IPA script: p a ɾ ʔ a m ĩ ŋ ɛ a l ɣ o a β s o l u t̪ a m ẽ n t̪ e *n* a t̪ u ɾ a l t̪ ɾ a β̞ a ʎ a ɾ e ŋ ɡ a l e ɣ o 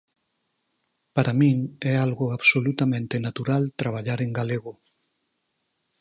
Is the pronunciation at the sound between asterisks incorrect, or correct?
correct